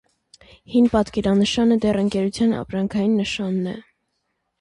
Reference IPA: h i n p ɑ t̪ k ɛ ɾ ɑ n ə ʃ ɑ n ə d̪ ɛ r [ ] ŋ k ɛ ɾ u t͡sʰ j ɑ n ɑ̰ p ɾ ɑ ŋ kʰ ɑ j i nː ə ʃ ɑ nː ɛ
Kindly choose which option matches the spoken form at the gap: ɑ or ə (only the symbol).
ə